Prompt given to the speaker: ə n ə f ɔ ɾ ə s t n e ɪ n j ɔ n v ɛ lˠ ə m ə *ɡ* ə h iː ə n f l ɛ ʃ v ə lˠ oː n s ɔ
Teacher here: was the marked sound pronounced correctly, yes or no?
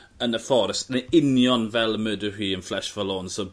no